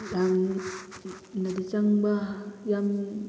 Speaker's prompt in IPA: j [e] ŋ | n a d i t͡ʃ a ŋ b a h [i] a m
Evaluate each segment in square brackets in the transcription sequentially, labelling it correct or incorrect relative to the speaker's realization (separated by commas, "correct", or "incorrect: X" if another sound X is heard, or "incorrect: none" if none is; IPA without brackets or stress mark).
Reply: incorrect: a, incorrect: j